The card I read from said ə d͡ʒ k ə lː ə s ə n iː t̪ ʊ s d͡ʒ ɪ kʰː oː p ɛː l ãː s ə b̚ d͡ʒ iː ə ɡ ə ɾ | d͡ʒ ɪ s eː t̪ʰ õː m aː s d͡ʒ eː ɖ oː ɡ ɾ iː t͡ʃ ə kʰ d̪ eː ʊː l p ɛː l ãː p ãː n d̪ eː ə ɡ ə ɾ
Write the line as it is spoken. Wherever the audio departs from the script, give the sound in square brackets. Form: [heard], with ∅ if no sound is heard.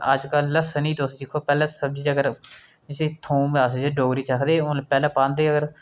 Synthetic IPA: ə d͡ʒ k ə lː ə s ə n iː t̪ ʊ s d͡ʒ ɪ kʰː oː p ɛː l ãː s ə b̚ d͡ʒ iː ə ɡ ə ɾ | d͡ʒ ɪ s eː t̪ʰ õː m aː s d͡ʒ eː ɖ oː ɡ ɾ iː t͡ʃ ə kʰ d̪ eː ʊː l p ɛː l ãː p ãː n d̪ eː ə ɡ ə ɾ